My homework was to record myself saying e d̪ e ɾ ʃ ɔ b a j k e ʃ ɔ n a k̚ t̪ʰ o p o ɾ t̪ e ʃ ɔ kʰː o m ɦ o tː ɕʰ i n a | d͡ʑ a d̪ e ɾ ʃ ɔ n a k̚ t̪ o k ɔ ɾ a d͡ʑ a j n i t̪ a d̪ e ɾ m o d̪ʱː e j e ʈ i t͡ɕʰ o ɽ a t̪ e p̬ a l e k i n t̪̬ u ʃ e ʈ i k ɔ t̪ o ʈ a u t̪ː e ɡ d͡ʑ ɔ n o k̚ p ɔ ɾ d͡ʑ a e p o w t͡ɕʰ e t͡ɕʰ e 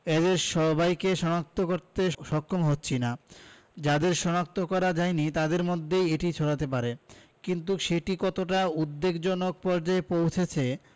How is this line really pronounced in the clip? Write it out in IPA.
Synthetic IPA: e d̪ e ɾ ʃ ɔ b a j k e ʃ ɔ n a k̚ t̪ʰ o k o ɾ t̪ e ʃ ɔ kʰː o m ɦ o tː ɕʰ i n a | d͡ʑ a d̪ e ɾ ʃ ɔ n a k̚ t̪ o k ɔ ɾ a d͡ʑ a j n i t̪ a d̪ e ɾ m o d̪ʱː e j e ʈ i t͡ɕʰ o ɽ a t̪ e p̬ a ɾ e k i n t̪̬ u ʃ e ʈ i k ɔ t̪ o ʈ a u d̪ː e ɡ d͡ʑ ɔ n o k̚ p ɔ ɾ d͡ʑ a e p o w t͡ɕʰ e t͡ɕʰ e

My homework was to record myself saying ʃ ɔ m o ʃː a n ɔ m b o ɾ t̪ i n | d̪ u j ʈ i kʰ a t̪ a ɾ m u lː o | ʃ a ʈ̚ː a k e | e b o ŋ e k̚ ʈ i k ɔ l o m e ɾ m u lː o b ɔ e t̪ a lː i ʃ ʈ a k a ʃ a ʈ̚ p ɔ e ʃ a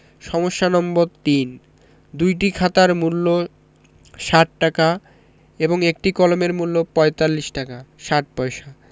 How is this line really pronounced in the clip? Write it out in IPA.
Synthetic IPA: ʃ ɔ m o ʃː a n ɔ m b o ɾ t̪ i n | d̪ u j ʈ i kʰ a t̪ a ɾ m u lː o | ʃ a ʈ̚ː a k a | e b o ŋ e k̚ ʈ i k ɔ l o m e ɾ m u lː o p ɔ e t̪ a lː i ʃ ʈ a k a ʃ a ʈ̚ p ɔ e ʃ a

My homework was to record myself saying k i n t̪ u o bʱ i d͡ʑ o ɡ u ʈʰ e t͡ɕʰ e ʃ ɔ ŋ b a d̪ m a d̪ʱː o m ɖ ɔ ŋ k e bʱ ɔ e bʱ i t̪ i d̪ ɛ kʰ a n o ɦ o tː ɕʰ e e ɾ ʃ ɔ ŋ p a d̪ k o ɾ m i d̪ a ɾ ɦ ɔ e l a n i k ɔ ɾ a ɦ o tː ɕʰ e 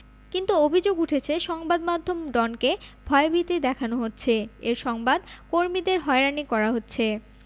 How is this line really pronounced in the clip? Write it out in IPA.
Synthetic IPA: k i n t̪ u o bʱ i d͡ʑ o ɡ u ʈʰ e t͡ɕʰ e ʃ ɔ ŋ b a d̪ m a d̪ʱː o m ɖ ɔ n k e bʱ ɔ e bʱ i t̪ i d̪ ɛ kʰ a n o ɦ o tː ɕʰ e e ɾ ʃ ɔ ŋ b a d̪ k o ɾ m i d̪ e ɾ ɦ ɔ e ɾ a n i k ɔ ɾ a ɦ o tː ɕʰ e

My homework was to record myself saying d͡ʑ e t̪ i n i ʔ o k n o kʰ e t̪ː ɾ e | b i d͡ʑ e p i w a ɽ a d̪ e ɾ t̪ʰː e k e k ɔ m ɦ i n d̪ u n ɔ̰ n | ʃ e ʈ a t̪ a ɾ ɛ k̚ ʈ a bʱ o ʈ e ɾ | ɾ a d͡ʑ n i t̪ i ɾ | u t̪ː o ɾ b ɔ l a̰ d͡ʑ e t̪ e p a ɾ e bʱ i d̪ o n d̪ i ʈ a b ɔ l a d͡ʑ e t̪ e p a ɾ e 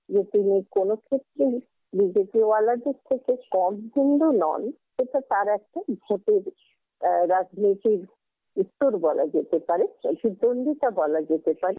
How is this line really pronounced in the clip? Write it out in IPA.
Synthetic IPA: d͡ʑ e t̪ i n i k o n o kʰ e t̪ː ɾ e | b i d͡ʑ e p i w a l a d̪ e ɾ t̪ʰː e k e k ɔ m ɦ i n d̪ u n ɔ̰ n | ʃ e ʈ a t̪ a ɾ ɛ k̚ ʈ a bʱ o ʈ e ɾ | ɾ a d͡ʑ n i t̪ i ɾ | u t̪ː o ɾ b ɔ l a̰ d͡ʑ e t̪ e p a ɾ e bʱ i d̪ o n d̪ i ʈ a b ɔ l a d͡ʑ e t̪ e p a ɾ e

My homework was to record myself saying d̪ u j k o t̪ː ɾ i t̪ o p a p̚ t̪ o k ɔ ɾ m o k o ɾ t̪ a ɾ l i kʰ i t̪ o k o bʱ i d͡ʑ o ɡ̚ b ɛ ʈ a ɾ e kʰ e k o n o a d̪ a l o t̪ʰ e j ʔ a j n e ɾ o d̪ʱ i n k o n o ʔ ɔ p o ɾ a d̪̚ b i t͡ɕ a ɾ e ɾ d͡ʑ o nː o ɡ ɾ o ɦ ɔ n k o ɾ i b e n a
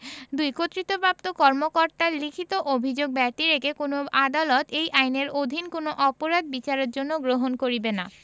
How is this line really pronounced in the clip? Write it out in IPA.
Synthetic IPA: d̪ u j k o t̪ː ɾ i t̪ o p a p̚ t̪ o k ɔ ɾ m o k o ɾ t̪ a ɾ l i kʰ i t̪ o ʔ o bʱ i d͡ʑ o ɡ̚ b ɛ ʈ i ɾ e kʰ e k o n o a d̪ a l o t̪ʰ e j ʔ a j n e ɾ o d̪ʱ i n k o n o ʔ ɔ p o ɾ a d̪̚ b i t͡ɕ a ɾ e ɾ d͡ʑ o nː o ɡ ɾ o ɦ o n k o ɾ i b e n a

